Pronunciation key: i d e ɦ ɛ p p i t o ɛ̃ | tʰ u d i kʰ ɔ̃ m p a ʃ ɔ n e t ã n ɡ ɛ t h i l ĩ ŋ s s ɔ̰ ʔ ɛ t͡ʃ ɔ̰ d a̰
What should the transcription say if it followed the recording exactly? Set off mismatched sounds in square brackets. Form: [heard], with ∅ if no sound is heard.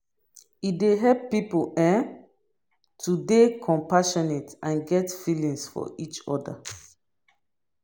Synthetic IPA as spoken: i d e ɦ ɛ p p i [p] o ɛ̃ | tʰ u d [e] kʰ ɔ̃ m p a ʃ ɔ n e t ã n ɡ ɛ t [f] i l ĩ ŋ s [f] ɔ̰ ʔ [i] t͡ʃ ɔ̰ d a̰